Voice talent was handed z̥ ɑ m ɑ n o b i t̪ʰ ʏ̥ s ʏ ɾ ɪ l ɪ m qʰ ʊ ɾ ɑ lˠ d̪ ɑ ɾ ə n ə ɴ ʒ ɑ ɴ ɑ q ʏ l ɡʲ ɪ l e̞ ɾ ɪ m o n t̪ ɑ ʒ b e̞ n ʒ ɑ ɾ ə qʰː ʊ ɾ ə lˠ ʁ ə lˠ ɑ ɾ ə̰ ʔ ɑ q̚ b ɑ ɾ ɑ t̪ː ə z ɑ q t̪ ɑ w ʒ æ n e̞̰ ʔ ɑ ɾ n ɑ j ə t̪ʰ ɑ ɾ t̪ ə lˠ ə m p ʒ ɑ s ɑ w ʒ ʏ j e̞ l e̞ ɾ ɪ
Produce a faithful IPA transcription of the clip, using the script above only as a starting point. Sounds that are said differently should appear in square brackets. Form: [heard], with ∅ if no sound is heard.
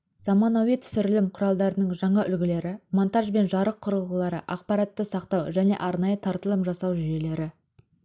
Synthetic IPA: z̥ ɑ m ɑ n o [w] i t̪ʰ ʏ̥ s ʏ ɾ ɪ l ɪ m qʰ ʊ ɾ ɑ lˠ d̪ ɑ ɾ ə n ə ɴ ʒ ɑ ɴ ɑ [ʔ] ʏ l ɡʲ ɪ l e̞ ɾ ɪ m o n t̪ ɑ ʒ b e̞ n ʒ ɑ ɾ ə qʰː ʊ ɾ ə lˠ ʁ ə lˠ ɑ ɾ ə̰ ʔ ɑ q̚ [p] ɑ ɾ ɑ t̪ː ə [s] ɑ q t̪ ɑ w ʒ æ n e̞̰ ʔ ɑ ɾ n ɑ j ə t̪ʰ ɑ ɾ t̪ ə lˠ ə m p ʒ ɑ s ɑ w ʒ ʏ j e̞ l e̞ ɾ ɪ